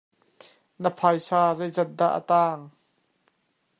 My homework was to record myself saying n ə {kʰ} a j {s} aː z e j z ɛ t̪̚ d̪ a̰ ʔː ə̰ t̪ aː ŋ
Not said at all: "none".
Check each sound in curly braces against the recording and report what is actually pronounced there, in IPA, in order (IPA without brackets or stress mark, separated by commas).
pʰ, s